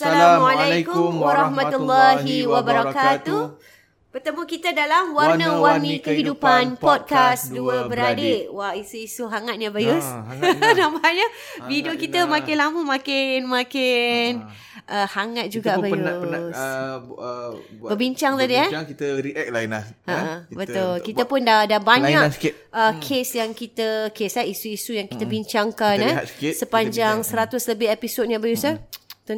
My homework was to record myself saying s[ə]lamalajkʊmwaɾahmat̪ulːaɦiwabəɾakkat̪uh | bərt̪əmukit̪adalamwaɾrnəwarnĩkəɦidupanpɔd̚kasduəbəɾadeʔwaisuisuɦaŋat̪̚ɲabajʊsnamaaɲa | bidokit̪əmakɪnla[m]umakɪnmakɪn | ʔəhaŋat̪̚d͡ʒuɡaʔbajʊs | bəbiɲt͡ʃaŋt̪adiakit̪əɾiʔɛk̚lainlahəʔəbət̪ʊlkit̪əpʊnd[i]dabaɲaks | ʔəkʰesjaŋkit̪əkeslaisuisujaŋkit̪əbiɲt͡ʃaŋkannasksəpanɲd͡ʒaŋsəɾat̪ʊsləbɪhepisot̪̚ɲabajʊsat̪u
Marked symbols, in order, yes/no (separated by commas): no, yes, no